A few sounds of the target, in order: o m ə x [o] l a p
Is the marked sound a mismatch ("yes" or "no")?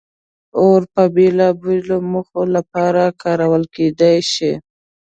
no